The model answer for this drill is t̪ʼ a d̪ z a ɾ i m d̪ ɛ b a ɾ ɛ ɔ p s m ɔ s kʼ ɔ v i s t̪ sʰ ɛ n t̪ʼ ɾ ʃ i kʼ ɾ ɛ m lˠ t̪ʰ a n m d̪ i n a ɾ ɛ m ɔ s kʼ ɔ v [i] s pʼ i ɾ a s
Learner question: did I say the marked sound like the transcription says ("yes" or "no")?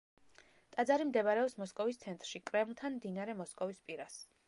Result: yes